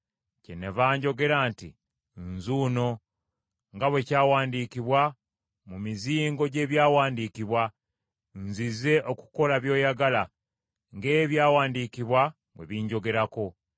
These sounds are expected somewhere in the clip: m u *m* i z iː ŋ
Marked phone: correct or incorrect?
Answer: correct